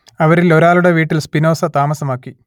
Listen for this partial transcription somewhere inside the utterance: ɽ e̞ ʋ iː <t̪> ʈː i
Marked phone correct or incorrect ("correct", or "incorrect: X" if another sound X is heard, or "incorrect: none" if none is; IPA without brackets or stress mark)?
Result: incorrect: none